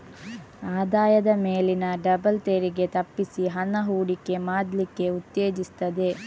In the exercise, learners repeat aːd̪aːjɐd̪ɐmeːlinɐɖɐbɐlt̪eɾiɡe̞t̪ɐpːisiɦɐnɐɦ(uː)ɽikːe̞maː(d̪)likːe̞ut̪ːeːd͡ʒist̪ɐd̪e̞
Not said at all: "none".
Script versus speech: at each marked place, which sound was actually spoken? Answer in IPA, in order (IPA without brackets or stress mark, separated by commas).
uː, d̪